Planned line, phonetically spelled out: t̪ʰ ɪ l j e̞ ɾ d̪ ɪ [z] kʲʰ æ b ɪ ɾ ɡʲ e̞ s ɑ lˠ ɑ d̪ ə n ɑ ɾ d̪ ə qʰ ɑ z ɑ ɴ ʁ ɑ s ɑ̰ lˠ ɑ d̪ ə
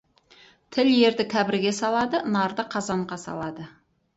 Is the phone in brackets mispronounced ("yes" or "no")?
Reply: yes